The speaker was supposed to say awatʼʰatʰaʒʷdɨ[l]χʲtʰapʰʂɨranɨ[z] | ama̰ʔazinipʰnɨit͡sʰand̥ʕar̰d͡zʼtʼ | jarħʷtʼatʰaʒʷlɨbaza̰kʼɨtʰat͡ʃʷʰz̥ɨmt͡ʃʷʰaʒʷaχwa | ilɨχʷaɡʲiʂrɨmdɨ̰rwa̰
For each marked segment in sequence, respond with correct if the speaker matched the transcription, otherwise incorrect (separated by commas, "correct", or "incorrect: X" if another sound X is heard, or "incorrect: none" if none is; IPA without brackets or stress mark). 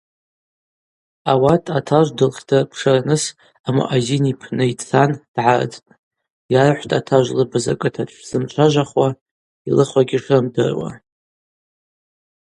correct, incorrect: s